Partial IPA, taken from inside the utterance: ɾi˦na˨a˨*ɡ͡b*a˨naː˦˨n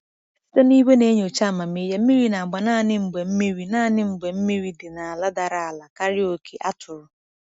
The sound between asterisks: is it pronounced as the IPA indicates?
yes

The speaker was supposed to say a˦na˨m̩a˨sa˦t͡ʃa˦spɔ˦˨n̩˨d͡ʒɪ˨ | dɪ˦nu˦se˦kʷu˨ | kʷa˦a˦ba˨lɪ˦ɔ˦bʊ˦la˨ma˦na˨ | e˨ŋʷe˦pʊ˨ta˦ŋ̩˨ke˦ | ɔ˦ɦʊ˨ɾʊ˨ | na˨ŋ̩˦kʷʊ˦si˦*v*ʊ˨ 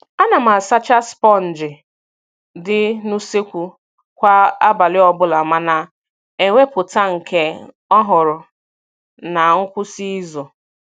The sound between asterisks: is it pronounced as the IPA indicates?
no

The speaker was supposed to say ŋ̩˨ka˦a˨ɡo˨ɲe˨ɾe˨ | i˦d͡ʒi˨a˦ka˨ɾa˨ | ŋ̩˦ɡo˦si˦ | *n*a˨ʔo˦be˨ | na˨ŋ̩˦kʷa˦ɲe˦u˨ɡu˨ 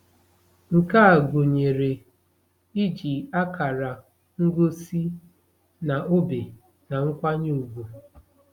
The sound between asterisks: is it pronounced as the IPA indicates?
yes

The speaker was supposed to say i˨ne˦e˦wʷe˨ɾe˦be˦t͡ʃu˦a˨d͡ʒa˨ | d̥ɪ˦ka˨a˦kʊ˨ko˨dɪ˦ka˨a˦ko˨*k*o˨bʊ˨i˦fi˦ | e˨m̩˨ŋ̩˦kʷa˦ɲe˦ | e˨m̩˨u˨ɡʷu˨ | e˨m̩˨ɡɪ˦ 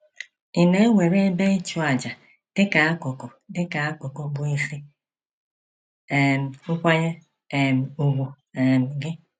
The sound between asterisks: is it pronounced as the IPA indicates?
yes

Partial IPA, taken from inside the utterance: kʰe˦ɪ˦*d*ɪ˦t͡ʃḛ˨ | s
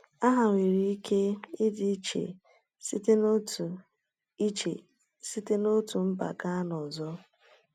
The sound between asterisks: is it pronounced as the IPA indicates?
yes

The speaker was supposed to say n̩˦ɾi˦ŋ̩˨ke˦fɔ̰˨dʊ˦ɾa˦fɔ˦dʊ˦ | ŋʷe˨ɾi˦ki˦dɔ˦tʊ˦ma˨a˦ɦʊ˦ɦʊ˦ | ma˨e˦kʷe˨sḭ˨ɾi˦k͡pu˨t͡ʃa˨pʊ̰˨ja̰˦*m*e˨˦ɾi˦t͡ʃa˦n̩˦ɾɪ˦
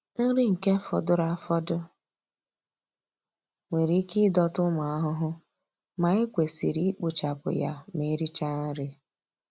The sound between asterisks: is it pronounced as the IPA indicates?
yes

